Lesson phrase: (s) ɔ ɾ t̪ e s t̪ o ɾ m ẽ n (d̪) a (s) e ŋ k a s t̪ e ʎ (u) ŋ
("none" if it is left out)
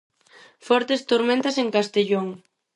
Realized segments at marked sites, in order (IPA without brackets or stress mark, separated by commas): f, t̪, s, o